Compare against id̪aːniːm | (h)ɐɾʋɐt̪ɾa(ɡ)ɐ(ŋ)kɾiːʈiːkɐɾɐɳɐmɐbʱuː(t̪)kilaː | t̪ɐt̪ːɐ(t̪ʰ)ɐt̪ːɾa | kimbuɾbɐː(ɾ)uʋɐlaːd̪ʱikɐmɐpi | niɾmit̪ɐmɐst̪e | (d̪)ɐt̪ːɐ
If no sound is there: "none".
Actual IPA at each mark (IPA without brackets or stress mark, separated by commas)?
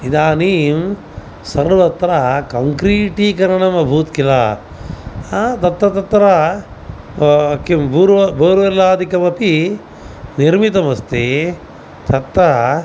s, k, ŋ, t̪, t̪, ɾ, t̪